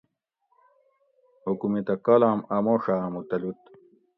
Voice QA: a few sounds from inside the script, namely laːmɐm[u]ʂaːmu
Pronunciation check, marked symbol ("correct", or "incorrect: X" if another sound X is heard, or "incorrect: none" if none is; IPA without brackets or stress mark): incorrect: o